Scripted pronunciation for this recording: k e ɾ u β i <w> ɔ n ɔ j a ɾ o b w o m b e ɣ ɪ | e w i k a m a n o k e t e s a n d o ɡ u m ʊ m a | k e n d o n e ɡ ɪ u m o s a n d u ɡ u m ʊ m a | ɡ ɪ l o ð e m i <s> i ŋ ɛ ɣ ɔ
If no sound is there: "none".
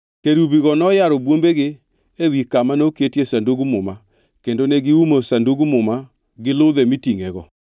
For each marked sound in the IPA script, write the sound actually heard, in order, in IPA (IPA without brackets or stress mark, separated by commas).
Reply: ɣ, t